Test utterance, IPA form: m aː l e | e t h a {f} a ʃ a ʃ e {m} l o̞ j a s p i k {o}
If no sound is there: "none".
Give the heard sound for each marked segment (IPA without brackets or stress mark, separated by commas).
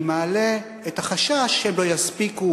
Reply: χ, m, u